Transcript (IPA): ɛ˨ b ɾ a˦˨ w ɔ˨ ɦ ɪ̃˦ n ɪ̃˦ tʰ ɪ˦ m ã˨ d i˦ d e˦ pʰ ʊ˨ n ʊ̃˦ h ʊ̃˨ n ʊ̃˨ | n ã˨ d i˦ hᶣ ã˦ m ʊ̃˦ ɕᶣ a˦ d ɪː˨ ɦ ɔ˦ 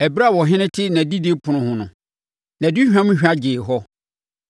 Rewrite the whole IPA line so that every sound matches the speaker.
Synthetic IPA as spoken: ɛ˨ b ɾ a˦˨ w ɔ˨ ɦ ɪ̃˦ n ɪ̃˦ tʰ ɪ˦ n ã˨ d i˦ d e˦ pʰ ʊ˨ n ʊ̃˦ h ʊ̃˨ n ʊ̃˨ | n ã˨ d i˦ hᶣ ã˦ m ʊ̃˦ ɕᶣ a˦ d͡ʑ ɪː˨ ɦ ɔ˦